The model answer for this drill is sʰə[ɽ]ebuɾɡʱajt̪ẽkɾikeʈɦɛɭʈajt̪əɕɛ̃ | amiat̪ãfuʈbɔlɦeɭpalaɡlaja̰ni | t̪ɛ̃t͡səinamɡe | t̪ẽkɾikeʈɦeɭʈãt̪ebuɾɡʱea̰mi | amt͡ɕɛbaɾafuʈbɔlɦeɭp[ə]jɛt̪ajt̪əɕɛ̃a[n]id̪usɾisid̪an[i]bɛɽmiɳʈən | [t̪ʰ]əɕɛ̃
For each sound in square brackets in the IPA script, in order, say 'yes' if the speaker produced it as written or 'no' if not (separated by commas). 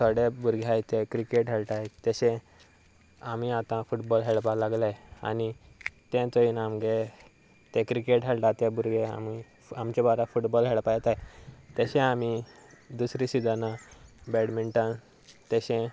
yes, no, no, no, no